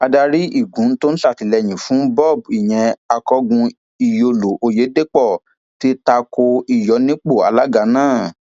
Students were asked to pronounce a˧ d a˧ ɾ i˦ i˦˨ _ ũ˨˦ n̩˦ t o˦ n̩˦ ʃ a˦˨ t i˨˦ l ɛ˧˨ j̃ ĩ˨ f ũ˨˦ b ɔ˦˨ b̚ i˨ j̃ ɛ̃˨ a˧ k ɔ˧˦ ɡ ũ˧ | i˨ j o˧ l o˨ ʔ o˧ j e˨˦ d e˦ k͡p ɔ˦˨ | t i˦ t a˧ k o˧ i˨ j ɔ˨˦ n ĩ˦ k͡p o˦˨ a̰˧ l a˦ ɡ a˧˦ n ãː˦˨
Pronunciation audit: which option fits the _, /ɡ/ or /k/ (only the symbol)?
ɡ